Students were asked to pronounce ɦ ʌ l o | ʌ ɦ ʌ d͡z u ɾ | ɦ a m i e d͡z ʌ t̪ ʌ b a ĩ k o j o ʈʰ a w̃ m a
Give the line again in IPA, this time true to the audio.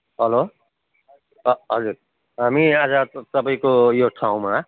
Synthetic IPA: ɦ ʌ l o | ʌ ɦ ʌ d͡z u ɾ | ɦ a m i a d͡z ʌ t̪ ʌ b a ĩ k o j o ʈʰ a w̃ m a